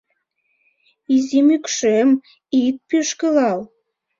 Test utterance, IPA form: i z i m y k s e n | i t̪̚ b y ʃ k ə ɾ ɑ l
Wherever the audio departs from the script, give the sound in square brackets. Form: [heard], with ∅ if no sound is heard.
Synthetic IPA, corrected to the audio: i z i m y k [ʃ] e [m] | i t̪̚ [p] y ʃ k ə [l] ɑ l